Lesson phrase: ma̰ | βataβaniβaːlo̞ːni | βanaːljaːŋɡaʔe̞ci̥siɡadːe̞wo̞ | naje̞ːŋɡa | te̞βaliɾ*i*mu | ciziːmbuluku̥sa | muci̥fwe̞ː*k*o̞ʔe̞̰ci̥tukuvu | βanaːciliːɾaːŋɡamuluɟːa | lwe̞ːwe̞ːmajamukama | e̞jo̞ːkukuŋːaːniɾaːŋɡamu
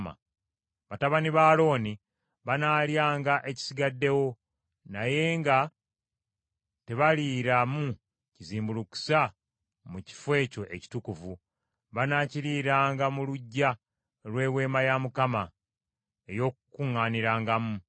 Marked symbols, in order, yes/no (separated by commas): no, no